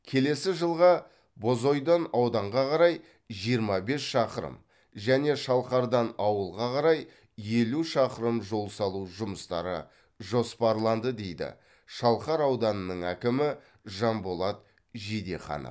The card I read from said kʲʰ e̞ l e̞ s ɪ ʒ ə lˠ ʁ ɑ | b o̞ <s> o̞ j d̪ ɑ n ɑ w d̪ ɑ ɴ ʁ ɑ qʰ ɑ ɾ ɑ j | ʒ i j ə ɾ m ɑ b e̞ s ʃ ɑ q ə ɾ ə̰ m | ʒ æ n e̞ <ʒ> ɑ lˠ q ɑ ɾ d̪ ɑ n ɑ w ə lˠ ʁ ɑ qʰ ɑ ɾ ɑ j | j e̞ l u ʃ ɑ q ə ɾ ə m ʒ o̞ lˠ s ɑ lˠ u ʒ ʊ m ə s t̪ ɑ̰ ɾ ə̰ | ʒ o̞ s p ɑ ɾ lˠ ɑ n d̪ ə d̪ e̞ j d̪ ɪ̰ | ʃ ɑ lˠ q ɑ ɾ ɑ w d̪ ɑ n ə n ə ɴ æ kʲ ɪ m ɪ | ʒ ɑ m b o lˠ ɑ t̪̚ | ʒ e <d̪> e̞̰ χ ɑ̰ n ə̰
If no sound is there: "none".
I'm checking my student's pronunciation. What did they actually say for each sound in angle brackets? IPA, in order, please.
z, ʃ, d̪

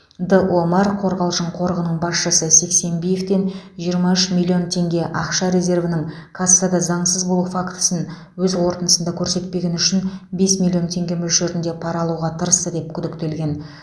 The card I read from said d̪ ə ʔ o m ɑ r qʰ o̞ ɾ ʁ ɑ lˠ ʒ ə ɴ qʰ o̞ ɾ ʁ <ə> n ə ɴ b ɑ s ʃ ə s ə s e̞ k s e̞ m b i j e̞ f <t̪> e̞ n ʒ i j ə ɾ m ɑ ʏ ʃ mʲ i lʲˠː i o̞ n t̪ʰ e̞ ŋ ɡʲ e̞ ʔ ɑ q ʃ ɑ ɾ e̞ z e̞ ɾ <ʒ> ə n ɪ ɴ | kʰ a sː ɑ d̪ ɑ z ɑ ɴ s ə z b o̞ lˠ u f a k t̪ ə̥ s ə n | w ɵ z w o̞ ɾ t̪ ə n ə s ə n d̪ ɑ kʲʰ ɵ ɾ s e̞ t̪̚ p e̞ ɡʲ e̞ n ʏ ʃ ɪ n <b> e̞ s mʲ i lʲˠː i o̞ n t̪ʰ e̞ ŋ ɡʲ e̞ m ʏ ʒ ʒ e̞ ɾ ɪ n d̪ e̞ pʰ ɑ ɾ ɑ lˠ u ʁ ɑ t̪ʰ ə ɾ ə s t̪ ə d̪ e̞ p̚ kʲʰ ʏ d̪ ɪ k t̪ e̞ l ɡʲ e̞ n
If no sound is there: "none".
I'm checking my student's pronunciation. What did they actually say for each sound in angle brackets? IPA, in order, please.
ə, t̪, v, b

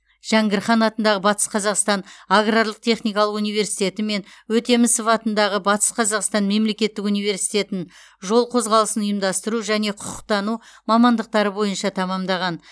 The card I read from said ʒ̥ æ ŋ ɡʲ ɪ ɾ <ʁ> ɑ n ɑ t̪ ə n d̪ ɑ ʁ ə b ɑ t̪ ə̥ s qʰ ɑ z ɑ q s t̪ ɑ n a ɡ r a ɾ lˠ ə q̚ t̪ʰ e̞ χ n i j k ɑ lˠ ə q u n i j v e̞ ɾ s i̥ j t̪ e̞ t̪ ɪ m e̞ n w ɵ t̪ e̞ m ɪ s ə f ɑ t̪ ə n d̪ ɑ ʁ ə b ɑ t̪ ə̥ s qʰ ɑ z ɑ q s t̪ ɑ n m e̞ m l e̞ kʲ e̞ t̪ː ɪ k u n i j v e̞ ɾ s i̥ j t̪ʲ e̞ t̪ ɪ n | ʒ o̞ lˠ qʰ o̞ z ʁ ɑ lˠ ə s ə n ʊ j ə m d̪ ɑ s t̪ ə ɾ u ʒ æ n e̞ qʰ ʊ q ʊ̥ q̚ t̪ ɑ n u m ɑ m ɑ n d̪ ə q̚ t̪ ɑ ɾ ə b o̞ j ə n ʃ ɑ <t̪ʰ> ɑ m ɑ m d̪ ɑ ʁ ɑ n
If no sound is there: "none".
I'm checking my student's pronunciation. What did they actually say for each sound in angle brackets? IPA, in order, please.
χ, t̪ʰ

